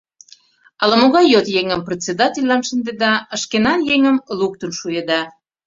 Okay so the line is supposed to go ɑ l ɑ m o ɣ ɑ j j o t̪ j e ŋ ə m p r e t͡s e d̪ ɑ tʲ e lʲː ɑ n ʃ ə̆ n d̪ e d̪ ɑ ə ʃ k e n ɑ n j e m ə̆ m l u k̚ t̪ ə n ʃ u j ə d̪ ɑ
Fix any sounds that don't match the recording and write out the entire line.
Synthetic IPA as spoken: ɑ l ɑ m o ɣ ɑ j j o t̪ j e ŋ ə m p r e t͡s e d̪ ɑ tʲ e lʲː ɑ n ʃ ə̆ n d̪ e d̪ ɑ ə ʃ k e n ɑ n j e ŋ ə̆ m l u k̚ t̪ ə n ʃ u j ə d̪ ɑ